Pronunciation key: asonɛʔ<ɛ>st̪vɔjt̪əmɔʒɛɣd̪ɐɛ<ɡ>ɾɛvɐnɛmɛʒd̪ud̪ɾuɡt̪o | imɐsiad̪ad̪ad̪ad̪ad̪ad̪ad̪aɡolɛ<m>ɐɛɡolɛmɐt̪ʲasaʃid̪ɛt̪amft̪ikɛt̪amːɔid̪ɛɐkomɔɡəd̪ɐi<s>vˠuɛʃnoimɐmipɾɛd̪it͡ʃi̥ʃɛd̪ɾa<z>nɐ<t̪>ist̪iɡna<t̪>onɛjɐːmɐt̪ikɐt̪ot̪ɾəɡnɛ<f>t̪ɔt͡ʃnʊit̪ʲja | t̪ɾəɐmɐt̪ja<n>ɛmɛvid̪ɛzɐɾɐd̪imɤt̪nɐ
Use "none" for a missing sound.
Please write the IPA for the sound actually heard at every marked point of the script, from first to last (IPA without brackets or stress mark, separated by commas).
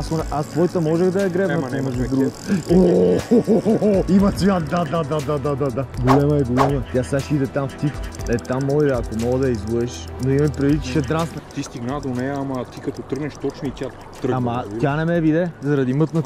a, ɡ, m, z, s, t̪, d̪, ʃ, n